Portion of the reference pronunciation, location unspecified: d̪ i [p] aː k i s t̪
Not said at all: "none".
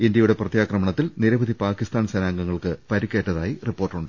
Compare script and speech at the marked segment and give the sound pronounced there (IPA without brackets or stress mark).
p